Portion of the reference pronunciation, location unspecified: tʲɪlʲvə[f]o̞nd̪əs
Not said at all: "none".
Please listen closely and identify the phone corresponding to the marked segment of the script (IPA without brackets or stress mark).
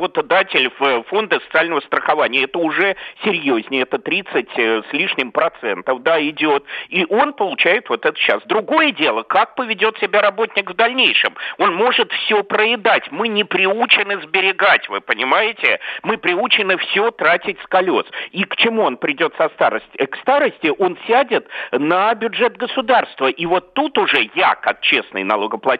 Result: f